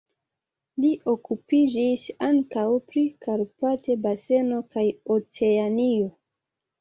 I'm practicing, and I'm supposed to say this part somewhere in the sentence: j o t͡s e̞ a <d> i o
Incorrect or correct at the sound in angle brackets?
incorrect: n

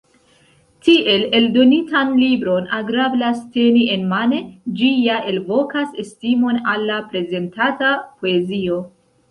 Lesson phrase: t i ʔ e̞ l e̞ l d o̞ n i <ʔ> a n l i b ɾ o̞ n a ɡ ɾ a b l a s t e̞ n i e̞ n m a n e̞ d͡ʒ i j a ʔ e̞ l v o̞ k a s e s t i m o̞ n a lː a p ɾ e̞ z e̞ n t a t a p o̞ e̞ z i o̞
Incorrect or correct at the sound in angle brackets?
incorrect: t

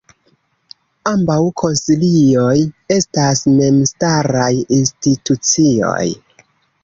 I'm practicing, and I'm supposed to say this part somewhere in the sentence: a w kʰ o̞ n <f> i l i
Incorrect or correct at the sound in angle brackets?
incorrect: s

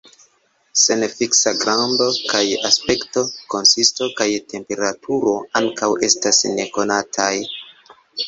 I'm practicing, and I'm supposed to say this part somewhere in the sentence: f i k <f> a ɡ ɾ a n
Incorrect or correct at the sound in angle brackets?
incorrect: s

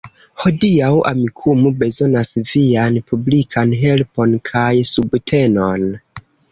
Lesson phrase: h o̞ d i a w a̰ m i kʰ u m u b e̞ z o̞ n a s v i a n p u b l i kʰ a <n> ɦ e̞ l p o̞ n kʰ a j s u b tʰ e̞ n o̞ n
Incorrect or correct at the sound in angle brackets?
correct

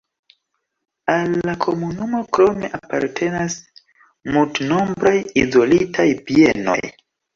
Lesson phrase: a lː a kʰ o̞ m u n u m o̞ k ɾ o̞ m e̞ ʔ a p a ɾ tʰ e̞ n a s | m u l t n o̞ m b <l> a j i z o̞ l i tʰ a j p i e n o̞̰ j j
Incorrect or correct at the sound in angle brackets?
incorrect: ɾ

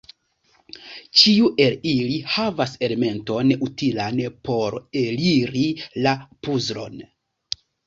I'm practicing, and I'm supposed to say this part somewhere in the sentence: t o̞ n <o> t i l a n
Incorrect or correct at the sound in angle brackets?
incorrect: u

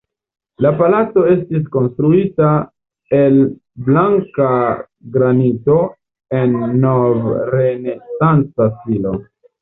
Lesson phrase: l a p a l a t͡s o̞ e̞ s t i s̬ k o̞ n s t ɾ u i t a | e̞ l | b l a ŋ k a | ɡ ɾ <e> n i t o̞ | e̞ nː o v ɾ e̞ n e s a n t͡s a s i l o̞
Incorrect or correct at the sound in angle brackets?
incorrect: a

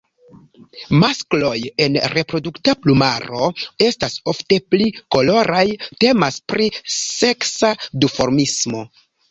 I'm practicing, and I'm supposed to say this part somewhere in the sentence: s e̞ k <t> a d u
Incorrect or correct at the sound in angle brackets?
incorrect: s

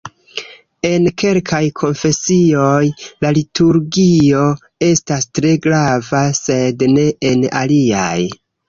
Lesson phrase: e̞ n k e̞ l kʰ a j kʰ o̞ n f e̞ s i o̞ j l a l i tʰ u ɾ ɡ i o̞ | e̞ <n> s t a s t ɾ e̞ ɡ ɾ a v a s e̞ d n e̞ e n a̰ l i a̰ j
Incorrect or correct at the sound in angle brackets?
incorrect: none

